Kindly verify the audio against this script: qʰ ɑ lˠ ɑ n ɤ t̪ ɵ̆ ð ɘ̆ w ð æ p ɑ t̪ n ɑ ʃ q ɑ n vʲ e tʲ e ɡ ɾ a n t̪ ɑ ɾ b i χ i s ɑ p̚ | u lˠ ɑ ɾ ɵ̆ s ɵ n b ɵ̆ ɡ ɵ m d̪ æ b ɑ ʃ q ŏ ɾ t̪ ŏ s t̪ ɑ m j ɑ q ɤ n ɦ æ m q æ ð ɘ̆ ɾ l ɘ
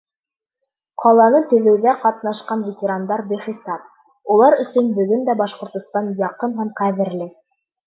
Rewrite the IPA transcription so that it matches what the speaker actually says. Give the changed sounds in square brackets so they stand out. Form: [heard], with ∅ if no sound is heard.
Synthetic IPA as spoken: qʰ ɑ lˠ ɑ n ɤ t̪ ɵ̆ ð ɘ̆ w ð æ [q] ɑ t̪ n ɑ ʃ q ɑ n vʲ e tʲ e [∅] ɾ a n [d̪] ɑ ɾ b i χ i s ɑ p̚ | u lˠ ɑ ɾ ɵ̆ s ɵ n b ɵ̆ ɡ ɵ [n] d̪ æ b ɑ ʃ q ŏ ɾ t̪ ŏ s t̪ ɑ [n] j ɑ q ɤ n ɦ æ m q æ ð ɘ̆ ɾ l ɘ

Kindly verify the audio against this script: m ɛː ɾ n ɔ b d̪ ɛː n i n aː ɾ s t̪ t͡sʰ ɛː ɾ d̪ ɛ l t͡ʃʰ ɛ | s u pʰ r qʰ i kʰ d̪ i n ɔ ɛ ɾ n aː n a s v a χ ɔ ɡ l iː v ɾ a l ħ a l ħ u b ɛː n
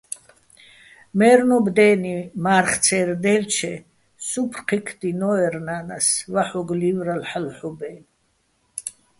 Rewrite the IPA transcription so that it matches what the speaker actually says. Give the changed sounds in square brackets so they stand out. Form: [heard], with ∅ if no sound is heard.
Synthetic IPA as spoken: m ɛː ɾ n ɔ b d̪ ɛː n i [m] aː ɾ [χ] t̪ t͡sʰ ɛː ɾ d̪ ɛ l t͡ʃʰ ɛ | s u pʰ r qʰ i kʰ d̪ i n ɔ ɛ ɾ n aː n a s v a [ħ] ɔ ɡ l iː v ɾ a l ħ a l ħ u b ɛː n

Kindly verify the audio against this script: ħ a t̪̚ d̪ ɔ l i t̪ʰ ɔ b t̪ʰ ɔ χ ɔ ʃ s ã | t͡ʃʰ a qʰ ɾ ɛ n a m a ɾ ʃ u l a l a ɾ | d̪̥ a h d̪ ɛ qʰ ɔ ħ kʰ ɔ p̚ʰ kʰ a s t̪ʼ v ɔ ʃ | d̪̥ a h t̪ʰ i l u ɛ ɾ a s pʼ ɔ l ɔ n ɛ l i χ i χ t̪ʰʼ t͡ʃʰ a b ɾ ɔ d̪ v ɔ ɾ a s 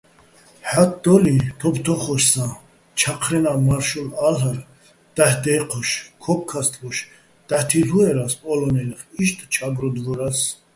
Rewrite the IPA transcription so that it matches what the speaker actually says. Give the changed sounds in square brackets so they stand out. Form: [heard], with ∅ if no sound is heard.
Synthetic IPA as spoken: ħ a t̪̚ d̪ ɔ l i t̪ʰ ɔ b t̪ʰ ɔ χ ɔ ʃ s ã | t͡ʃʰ a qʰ ɾ ɛ n a m a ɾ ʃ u l a l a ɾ | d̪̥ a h d̪ ɛ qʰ ɔ [ʃ] kʰ ɔ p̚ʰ kʰ a s t̪ʼ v ɔ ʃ | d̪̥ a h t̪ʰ i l u ɛ ɾ a s pʼ ɔ l ɔ n ɛ l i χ i [ʃ] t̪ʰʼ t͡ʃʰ a b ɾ ɔ d̪ v ɔ ɾ a s

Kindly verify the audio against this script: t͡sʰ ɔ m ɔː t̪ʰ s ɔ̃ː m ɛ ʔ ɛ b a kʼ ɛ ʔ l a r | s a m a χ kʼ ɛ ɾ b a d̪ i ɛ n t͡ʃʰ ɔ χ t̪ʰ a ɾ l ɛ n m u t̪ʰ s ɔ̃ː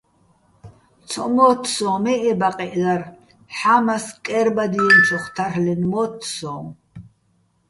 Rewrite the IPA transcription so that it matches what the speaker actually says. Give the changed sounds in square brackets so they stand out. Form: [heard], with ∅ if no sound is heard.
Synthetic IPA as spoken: t͡sʰ ɔ m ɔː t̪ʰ s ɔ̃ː m ɛ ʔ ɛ b a [qʼ] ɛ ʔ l a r | [ħ] a m a [s] kʼ ɛ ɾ b a d̪ i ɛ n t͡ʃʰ ɔ χ t̪ʰ a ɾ l ɛ n m [ɔ] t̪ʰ s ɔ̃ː

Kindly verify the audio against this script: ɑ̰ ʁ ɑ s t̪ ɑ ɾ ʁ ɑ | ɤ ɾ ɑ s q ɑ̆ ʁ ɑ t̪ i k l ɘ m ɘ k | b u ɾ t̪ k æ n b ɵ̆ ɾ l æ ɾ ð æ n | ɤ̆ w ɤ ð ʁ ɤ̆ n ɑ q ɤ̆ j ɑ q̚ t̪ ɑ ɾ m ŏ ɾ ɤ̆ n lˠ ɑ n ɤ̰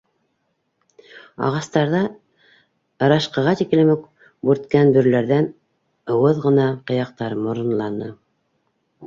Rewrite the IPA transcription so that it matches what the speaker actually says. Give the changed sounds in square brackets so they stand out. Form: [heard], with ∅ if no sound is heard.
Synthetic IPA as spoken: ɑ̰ ʁ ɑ s t̪ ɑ ɾ [ð] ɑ | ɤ ɾ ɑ [ʃ] q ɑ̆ ʁ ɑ t̪ i k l ɘ m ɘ k | b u ɾ t̪ k æ n b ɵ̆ ɾ l æ ɾ ð æ n | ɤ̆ w ɤ ð ʁ ɤ̆ n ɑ q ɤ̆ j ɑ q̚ t̪ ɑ ɾ m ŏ ɾ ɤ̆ n lˠ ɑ n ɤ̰

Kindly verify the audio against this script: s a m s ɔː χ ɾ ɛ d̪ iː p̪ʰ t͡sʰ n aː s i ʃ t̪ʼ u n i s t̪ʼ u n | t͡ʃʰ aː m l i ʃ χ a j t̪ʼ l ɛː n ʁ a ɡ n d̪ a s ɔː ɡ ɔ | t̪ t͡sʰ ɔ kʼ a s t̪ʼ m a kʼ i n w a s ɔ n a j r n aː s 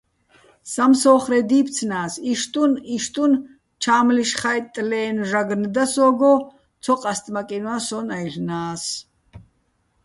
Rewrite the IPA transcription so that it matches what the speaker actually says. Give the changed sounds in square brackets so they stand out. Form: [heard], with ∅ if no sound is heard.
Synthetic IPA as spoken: s a m s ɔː χ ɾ ɛ d̪ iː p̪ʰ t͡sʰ n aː s i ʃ t̪ʼ u n i [ʃ] t̪ʼ u n | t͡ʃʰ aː m l i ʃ χ a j t̪ʼ l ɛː n [ʒ] a ɡ n d̪ a s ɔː ɡ ɔ | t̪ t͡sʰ ɔ [qʼ] a s t̪ʼ m a kʼ i n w a s ɔ n a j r n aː s

